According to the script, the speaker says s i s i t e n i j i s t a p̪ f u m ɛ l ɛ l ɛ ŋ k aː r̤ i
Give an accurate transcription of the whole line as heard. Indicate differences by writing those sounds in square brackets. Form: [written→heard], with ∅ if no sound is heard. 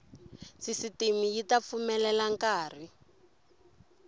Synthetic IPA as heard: s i s i t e [n→m] i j i [s→∅] t a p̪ f u m ɛ l ɛ l [ɛ→a] ŋ k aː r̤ i